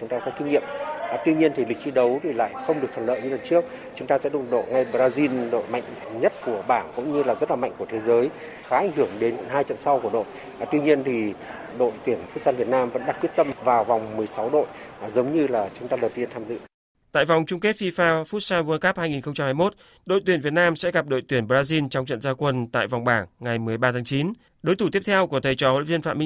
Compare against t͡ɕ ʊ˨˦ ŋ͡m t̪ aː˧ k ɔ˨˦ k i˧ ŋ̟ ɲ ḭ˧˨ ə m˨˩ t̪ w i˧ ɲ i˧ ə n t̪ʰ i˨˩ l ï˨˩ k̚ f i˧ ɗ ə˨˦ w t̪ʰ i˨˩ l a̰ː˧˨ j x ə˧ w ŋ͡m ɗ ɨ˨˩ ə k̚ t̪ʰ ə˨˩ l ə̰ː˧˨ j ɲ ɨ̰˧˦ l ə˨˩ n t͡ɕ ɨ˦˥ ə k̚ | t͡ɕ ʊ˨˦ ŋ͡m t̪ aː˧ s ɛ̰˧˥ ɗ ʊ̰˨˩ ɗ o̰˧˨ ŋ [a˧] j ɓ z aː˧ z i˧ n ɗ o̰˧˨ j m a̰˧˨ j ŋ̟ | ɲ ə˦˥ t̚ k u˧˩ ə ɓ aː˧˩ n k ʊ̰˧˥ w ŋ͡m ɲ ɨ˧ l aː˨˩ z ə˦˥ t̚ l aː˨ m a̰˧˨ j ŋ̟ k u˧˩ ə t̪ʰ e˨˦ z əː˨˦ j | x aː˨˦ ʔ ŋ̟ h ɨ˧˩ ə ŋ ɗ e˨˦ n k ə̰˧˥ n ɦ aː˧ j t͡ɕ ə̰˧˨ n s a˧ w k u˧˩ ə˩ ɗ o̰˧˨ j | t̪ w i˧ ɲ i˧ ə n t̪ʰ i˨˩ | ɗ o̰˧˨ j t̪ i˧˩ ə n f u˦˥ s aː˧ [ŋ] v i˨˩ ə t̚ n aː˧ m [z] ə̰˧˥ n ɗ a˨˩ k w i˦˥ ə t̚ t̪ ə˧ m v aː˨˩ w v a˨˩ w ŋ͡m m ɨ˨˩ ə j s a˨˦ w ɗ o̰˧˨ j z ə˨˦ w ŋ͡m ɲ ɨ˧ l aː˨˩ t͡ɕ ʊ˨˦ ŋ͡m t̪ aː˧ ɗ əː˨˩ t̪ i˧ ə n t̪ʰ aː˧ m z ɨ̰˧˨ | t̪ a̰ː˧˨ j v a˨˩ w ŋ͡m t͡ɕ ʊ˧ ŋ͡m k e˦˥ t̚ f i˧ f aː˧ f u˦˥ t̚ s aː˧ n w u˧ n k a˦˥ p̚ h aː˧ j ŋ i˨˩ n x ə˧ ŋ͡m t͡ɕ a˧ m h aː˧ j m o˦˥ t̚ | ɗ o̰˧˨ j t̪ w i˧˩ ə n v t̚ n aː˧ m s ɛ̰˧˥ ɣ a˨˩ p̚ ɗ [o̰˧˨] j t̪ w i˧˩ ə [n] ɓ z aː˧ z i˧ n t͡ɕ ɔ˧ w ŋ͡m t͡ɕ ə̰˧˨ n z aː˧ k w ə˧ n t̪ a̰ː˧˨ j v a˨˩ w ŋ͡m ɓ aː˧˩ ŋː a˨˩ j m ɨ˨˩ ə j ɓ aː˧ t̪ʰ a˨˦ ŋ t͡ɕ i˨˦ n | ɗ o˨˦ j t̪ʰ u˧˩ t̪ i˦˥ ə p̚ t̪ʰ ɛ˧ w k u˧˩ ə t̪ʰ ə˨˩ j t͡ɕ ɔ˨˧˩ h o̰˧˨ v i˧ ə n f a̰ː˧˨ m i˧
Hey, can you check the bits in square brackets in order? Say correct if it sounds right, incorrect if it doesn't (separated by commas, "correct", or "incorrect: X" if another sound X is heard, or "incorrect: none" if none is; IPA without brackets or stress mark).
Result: correct, incorrect: n, incorrect: v, correct, correct